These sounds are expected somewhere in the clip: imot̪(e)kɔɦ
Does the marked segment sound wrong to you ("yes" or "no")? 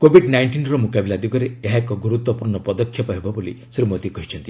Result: yes